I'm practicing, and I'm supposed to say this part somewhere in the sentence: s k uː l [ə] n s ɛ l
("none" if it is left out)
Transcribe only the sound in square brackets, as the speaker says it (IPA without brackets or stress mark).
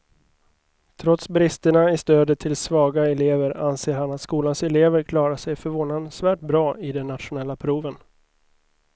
a